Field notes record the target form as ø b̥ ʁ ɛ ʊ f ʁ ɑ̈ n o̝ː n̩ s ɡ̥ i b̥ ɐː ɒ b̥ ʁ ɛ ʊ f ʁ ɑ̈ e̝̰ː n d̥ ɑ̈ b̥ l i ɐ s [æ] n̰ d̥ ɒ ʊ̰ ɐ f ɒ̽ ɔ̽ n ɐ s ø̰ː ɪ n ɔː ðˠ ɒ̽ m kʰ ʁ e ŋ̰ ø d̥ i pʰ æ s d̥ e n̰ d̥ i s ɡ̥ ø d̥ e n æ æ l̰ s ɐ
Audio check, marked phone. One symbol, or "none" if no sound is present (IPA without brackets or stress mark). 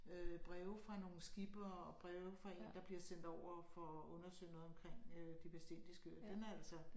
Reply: e